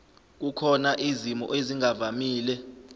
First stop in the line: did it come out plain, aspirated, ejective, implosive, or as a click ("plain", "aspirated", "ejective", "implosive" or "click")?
plain